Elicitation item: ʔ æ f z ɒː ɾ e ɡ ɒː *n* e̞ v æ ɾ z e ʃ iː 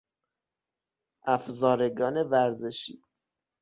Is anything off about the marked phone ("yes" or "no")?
no